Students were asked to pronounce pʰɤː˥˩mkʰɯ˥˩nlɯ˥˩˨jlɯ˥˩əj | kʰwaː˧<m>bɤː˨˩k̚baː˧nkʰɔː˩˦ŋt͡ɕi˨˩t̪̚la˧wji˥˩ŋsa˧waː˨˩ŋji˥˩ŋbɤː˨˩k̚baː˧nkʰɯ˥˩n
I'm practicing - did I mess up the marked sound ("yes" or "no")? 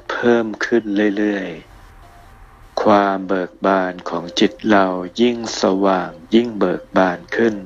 no